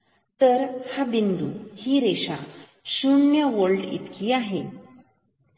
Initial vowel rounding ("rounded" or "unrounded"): unrounded